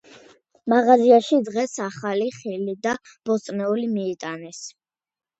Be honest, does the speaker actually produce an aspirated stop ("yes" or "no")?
no